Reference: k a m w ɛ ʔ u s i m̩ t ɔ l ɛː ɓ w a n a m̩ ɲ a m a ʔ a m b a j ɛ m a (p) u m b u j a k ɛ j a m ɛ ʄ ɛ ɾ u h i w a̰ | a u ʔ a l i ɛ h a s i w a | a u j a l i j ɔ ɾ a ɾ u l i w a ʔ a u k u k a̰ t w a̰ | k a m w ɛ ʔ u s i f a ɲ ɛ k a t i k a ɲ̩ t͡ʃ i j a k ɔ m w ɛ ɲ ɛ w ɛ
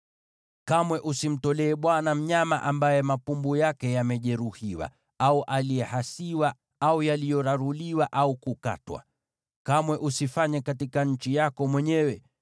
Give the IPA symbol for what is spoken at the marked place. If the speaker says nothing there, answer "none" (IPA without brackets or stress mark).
p